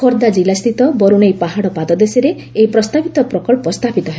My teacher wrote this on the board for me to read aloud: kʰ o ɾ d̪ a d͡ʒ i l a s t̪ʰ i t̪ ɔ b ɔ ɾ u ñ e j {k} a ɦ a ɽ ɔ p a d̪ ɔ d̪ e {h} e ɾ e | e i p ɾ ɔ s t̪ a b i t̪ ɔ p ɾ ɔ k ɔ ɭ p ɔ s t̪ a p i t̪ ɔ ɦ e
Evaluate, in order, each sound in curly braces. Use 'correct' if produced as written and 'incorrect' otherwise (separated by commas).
incorrect, incorrect